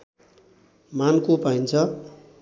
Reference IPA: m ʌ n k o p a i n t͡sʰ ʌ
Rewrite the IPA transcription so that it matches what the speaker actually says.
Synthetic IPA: m a n k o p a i n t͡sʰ ʌ